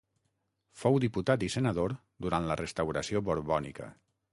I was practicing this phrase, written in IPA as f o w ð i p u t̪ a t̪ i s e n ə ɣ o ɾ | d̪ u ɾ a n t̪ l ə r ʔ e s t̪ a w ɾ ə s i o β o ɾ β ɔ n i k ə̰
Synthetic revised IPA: f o w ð i p u t̪ a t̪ i s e n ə ð o ɾ | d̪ u ɾ a n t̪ l ə r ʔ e s t̪ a w ɾ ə s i o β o ɾ β ɔ n i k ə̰